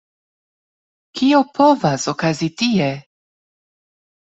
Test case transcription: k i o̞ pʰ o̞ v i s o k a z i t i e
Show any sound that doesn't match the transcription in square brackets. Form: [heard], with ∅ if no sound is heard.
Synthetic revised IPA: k i o̞ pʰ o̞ v [a] s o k a z i t i e